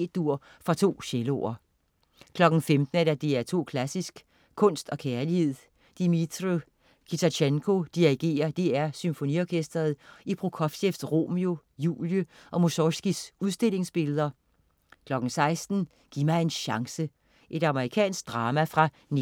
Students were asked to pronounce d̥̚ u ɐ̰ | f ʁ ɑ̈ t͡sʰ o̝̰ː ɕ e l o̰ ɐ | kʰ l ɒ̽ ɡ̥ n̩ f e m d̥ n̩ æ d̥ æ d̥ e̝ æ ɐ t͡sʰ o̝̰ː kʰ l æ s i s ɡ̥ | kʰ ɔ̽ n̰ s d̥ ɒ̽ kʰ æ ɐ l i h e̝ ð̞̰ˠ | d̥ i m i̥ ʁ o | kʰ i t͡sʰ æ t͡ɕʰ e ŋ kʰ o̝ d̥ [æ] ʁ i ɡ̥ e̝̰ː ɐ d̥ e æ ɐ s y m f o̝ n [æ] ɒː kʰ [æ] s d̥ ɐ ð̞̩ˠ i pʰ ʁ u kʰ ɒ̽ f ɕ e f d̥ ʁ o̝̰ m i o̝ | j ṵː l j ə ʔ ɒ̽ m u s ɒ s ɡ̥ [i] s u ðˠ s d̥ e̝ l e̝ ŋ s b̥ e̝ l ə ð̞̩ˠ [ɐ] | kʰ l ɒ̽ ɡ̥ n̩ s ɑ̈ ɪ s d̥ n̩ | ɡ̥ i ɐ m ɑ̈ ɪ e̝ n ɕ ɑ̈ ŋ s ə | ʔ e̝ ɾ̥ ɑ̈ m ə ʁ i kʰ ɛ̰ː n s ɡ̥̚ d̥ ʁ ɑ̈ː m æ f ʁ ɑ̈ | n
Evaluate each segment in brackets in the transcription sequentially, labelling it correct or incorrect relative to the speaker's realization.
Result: incorrect, incorrect, incorrect, correct, correct

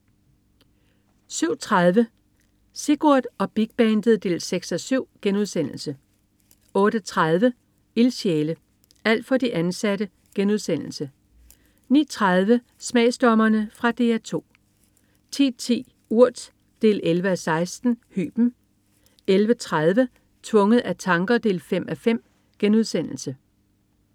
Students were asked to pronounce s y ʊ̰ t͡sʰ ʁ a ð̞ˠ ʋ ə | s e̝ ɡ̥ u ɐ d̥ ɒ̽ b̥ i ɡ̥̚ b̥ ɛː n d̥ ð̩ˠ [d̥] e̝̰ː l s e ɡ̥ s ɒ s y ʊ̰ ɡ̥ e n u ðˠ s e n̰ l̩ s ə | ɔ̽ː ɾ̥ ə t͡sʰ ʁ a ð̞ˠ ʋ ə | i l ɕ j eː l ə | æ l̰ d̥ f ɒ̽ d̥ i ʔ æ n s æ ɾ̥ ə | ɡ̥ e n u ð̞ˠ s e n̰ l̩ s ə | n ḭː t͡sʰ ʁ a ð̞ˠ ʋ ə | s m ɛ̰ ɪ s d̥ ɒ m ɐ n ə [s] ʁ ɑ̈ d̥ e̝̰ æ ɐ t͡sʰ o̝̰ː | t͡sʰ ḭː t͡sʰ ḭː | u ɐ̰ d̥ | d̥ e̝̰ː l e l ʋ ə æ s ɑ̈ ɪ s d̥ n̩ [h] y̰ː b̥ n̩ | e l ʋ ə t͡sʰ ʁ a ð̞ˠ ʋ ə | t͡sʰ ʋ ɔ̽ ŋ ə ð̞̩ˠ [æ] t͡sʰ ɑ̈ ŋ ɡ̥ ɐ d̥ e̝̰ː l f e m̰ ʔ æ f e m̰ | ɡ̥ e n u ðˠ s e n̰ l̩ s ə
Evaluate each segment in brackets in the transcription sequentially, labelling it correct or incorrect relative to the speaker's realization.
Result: correct, incorrect, correct, correct

